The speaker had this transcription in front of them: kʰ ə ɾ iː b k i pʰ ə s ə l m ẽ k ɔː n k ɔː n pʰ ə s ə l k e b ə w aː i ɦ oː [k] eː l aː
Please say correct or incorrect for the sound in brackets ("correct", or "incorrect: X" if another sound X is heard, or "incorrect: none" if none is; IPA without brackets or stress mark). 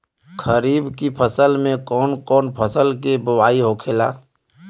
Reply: incorrect: kʰ